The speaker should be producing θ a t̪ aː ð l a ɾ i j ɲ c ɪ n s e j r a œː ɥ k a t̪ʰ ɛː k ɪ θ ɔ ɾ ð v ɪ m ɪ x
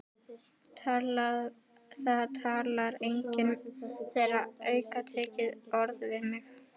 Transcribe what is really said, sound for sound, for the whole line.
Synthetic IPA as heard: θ a t̪ʰ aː l a ɾ e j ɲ c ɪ n θ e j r a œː ɥ k a t̪ʰ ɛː c ɪ ð ɔ ɾ ð v ɪ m ɪ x